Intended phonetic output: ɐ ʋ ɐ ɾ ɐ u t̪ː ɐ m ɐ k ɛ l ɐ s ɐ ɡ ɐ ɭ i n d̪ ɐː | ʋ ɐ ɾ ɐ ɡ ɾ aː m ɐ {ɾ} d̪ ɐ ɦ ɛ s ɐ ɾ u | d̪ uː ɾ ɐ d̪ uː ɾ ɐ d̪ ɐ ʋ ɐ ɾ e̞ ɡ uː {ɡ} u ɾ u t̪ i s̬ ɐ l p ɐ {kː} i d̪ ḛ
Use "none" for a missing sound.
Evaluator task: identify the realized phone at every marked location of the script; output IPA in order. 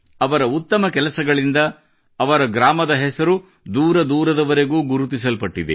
none, ɡ, ʈː

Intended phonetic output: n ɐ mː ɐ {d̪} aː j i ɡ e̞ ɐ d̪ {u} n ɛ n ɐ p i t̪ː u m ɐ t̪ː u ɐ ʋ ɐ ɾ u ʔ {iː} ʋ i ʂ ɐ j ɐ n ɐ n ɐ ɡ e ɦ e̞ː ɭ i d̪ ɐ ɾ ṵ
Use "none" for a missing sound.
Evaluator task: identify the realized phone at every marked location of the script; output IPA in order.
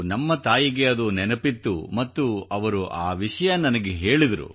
t̪, u, aː

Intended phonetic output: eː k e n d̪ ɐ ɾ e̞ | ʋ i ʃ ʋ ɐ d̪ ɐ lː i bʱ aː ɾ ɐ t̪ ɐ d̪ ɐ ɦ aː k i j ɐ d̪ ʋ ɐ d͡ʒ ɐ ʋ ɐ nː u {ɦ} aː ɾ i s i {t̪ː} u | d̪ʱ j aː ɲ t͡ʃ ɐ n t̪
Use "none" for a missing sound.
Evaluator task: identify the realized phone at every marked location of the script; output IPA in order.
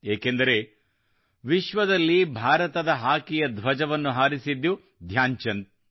ɦ, d̪ː

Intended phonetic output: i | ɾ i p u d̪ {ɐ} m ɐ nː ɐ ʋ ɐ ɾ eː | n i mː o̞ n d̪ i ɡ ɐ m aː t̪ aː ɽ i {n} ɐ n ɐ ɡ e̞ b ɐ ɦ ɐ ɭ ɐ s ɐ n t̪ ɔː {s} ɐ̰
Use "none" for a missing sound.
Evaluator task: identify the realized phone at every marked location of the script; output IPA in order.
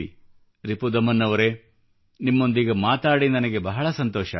ɐ, n, ʃ

